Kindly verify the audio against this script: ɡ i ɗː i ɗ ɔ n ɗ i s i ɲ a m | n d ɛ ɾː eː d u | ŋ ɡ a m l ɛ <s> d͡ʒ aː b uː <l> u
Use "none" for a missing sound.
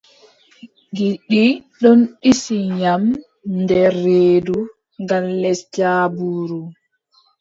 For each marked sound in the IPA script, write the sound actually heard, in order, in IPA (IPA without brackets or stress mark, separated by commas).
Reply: s, ɾ